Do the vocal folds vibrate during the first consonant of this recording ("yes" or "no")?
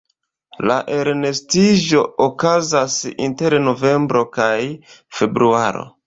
yes